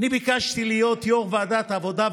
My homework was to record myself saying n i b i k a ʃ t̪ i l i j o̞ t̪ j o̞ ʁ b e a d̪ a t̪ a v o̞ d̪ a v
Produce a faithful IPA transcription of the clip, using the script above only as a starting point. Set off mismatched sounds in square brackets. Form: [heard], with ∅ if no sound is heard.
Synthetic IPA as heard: n i b i k a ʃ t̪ i l i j o̞ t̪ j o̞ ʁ [v] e a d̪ a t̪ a v o̞ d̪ a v